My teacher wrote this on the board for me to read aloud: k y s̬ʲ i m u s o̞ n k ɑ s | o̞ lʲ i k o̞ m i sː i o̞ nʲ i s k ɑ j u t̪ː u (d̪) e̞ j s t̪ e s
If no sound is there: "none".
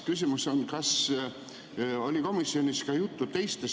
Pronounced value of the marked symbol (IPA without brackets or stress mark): t̪